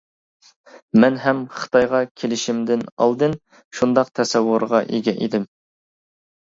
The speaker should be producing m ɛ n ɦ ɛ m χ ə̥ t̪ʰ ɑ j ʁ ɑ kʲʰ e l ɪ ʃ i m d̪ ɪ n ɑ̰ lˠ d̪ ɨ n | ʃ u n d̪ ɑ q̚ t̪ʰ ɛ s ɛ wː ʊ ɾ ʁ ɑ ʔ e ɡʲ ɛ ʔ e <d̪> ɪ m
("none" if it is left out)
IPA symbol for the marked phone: d̪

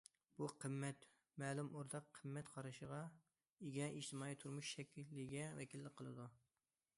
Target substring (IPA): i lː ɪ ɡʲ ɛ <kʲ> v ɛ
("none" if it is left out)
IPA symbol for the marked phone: none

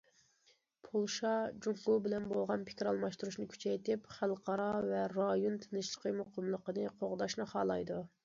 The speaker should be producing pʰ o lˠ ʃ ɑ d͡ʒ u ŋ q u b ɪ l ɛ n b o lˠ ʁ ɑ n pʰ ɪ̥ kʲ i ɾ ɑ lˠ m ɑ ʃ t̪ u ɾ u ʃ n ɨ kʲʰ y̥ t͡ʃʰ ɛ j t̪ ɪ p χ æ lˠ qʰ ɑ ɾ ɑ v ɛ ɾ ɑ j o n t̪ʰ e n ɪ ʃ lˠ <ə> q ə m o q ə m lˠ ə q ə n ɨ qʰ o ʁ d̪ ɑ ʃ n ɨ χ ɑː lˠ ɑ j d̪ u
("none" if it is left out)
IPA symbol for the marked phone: ə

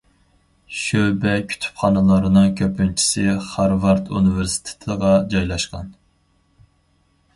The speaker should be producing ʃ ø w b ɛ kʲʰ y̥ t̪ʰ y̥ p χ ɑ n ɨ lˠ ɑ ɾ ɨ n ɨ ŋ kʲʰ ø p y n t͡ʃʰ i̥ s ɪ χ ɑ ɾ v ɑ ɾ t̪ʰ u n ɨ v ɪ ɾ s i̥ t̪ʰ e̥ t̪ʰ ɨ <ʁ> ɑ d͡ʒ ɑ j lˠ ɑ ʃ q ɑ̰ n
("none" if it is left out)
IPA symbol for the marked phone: ʁ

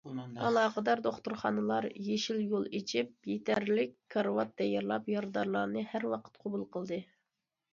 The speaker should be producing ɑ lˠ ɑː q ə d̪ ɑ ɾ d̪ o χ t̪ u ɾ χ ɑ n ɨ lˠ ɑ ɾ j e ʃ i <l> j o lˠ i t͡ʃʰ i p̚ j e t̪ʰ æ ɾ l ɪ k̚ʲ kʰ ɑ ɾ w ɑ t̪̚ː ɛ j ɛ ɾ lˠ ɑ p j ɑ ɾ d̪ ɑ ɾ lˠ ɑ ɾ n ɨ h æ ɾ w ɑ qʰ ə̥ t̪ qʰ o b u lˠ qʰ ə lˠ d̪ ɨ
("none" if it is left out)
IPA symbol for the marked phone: l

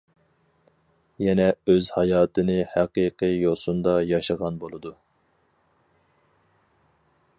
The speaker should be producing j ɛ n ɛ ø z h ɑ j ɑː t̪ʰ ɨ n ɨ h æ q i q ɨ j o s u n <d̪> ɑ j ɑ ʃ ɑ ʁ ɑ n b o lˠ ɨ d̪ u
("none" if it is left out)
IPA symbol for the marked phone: d̪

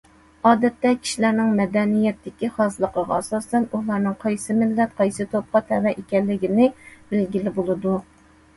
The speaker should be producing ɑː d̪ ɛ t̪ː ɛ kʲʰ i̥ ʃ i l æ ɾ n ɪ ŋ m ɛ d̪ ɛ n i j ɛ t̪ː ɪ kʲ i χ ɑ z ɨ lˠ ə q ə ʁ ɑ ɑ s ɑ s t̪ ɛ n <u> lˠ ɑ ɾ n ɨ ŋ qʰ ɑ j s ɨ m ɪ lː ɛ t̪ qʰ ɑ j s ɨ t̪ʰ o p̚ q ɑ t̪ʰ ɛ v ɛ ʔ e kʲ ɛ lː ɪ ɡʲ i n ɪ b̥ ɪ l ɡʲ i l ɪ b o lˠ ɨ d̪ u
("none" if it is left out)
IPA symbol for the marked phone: u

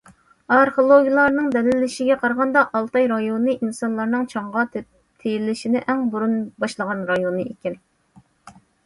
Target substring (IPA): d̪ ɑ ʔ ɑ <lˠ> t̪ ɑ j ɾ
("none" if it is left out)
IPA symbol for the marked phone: lˠ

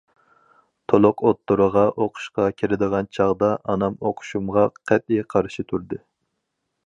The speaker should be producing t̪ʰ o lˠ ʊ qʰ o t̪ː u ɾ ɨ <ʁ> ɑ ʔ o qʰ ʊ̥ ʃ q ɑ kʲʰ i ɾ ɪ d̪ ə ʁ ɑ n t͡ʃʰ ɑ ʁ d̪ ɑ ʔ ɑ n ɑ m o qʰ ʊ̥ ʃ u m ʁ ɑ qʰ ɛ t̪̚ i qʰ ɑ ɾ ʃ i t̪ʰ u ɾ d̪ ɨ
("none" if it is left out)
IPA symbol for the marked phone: ʁ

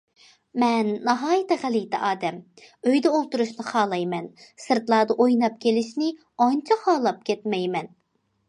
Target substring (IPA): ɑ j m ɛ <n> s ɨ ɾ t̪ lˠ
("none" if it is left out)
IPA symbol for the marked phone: n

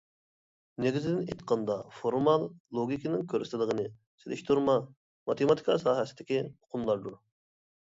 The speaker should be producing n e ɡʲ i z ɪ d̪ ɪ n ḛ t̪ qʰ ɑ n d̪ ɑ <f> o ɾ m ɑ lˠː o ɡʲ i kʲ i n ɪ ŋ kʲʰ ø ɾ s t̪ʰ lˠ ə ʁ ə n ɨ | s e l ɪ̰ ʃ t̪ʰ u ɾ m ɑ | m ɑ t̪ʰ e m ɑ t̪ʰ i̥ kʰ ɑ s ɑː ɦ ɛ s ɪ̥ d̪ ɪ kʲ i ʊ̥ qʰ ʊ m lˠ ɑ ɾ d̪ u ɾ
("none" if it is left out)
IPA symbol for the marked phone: f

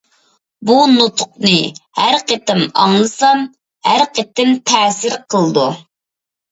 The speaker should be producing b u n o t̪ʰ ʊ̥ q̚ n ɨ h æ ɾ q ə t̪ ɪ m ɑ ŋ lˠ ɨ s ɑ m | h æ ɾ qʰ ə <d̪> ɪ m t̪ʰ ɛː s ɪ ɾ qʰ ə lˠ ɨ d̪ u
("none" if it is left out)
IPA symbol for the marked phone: t̪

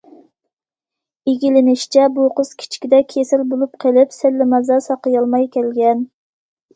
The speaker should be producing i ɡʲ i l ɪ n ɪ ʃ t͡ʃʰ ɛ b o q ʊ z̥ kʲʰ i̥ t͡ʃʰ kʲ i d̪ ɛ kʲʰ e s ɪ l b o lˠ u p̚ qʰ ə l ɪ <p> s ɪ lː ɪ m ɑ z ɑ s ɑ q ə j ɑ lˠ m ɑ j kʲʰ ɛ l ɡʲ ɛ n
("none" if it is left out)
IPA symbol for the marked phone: p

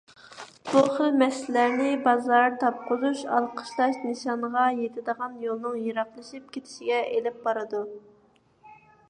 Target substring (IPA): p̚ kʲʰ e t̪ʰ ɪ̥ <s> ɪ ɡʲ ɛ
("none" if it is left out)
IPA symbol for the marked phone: ʃ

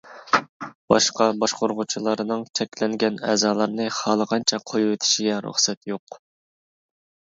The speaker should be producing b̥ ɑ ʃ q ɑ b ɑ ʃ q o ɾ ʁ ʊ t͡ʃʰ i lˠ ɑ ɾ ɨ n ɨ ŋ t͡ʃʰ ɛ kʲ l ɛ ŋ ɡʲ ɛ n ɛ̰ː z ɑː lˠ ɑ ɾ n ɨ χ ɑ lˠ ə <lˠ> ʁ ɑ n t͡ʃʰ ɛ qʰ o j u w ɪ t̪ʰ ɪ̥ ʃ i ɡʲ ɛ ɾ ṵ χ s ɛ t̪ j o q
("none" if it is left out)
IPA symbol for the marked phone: none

